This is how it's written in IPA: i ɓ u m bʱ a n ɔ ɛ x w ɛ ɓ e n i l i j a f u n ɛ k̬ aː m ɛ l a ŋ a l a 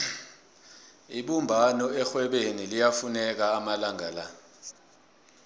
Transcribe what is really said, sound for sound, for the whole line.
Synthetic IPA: i ɓ u m bʱ a n ɔ ɛ x w ɛ ɓ e n i l i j a f u n ɛ k̬ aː m a l a ŋ a l a